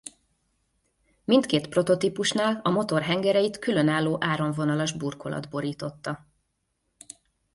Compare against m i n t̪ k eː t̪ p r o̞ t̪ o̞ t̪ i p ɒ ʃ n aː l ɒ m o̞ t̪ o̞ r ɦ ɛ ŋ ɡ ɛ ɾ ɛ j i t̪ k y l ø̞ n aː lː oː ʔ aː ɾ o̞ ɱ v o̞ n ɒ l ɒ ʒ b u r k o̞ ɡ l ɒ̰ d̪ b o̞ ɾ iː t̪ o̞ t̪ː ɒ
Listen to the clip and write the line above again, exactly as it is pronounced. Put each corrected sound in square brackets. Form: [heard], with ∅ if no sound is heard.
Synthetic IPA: m i n t̪ k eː t̪ p r o̞ t̪ o̞ t̪ i p [u] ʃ n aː l ɒ m o̞ t̪ o̞ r ɦ ɛ ŋ ɡ ɛ ɾ ɛ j i t̪ k y l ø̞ n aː lː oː ʔ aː ɾ o̞ ɱ v o̞ n ɒ l ɒ ʒ b u r k o̞ [∅] l ɒ̰ d̪ b o̞ ɾ iː t̪ o̞ t̪ː ɒ